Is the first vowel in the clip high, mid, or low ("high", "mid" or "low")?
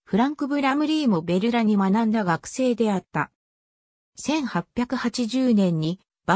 high